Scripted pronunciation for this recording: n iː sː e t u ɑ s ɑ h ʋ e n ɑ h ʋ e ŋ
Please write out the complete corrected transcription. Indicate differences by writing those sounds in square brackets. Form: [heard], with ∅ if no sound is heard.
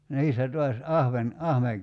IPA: n iː sː [æ] t u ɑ s ɑ h ʋ e n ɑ h ʋ e ŋ

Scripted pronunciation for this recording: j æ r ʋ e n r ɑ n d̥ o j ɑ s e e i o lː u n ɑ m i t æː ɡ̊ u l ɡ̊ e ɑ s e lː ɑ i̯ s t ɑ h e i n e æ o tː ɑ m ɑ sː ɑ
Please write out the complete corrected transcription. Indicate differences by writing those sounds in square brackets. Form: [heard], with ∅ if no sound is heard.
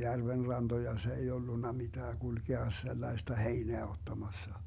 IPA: j æ r ʋ e n r ɑ n d̥ o j ɑ s e e i o lː u [nː] ɑ m i t æː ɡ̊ u l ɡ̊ e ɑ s e lː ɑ i̯ s t ɑ h e i n e æ o tː ɑ m ɑ sː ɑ

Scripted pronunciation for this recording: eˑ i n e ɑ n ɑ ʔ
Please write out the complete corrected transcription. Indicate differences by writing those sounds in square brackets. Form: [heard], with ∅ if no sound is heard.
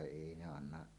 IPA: eˑ i n e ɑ [nː] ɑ ʔ

